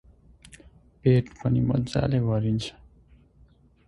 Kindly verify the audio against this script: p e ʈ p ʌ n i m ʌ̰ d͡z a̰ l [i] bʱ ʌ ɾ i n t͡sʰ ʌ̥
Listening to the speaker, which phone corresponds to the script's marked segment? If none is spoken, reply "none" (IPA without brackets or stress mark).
e